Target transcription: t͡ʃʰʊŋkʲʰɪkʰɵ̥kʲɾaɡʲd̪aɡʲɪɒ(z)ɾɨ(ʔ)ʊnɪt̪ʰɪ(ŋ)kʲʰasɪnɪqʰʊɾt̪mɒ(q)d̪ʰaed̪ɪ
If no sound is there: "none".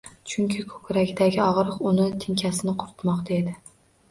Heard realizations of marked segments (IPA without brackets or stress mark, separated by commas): ʁ, q, ŋ, q